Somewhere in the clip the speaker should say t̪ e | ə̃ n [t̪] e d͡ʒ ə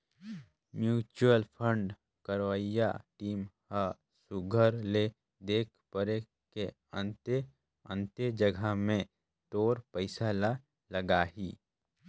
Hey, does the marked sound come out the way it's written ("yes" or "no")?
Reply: yes